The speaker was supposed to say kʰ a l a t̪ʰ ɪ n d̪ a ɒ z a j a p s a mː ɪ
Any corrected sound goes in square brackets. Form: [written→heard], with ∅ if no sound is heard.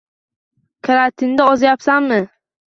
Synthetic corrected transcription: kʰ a [l→ɾ] a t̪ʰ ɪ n d̪ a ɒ z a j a p s a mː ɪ